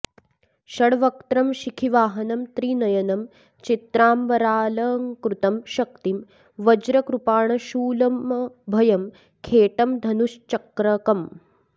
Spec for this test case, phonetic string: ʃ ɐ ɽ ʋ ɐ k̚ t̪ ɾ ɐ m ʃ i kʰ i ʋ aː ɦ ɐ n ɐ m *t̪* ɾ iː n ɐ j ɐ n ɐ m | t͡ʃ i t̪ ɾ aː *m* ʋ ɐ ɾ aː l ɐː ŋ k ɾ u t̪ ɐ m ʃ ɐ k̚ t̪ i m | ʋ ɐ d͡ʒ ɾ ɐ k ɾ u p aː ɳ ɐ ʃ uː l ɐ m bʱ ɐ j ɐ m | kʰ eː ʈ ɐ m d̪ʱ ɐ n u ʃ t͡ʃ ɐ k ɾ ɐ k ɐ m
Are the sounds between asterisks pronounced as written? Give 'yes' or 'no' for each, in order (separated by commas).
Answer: yes, yes